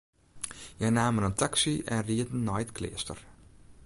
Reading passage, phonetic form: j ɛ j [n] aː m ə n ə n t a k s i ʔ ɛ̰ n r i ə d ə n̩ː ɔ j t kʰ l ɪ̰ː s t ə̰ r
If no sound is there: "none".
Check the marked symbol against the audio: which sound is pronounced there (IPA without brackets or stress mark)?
n